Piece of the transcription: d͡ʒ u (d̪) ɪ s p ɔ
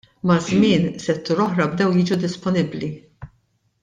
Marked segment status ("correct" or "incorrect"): correct